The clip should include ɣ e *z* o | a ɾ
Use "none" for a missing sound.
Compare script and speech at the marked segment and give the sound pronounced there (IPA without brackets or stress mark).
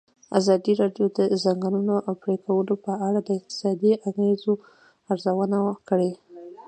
z